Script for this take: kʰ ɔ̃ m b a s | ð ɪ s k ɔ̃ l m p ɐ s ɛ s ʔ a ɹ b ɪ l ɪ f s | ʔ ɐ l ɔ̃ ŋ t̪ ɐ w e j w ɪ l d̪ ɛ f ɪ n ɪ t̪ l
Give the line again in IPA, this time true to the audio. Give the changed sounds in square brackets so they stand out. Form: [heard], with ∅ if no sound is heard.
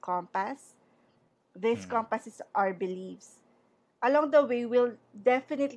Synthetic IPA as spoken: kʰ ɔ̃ m [p] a s | ð ɪ s k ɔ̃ [∅] m p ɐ s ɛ s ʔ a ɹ b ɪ l [i] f s | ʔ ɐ l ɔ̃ ŋ [d̪] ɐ w e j w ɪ l d̪ ɛ f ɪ n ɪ t̪ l